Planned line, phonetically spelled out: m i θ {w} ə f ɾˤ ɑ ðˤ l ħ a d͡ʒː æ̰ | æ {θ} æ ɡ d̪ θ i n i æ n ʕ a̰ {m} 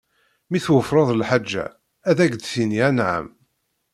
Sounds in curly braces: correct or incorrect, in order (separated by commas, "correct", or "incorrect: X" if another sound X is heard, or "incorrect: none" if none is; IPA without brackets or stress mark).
correct, incorrect: ð, correct